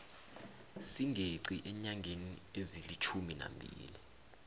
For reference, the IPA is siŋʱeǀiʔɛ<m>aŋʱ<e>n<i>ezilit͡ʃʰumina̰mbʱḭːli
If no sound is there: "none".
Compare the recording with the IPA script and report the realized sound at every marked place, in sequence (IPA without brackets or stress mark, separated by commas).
ɲ, e, i